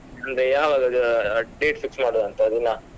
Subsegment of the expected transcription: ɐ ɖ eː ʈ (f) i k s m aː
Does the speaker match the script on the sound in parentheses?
yes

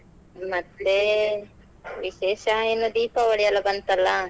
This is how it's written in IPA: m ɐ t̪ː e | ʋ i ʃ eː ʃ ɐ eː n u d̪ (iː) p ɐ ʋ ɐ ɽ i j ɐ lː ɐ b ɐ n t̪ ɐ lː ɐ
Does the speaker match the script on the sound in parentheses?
yes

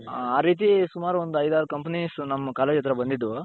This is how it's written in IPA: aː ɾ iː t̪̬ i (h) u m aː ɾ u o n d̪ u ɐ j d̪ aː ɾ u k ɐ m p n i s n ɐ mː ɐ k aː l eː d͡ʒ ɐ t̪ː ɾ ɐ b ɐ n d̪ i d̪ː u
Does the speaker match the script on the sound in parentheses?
no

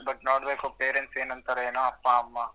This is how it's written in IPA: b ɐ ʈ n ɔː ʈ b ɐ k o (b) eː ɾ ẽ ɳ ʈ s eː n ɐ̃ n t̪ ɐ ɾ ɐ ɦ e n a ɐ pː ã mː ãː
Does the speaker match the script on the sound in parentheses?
no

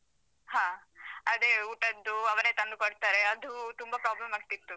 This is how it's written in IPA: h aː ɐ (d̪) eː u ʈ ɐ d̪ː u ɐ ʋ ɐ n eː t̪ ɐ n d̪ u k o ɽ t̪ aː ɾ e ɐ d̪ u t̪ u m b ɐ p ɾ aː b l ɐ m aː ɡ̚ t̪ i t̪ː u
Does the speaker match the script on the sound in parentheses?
yes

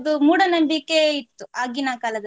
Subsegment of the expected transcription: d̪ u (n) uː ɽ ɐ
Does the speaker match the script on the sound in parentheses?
no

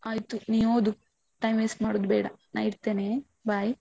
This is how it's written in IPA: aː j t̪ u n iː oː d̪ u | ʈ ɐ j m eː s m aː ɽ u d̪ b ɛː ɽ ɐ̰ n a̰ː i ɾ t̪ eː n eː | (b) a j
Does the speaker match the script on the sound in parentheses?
yes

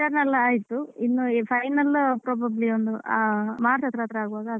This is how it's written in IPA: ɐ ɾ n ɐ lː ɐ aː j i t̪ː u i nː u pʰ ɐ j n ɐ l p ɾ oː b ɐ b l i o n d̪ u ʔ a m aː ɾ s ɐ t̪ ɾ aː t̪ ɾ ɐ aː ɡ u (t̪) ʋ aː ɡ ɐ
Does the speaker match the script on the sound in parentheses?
no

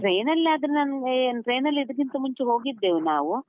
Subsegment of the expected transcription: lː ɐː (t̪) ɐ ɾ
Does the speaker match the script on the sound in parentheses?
no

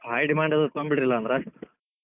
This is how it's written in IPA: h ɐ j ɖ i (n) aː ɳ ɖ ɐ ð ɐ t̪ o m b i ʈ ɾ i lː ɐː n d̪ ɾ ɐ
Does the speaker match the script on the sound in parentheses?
no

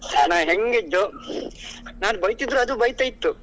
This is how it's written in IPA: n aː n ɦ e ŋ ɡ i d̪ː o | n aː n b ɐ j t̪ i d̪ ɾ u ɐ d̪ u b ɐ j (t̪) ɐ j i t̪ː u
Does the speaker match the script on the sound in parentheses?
yes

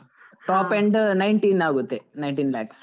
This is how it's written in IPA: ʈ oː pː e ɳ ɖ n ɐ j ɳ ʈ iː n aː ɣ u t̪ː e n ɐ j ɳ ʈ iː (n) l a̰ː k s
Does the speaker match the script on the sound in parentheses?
yes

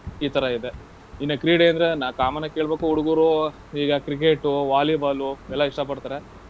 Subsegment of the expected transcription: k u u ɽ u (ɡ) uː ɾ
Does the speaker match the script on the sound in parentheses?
yes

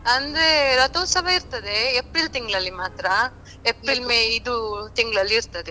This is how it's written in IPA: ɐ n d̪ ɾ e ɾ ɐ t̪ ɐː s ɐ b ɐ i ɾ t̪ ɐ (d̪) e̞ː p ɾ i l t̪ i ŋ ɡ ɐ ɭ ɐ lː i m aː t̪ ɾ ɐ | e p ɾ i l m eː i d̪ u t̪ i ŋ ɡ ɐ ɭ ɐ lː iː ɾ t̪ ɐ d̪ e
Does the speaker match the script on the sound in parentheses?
yes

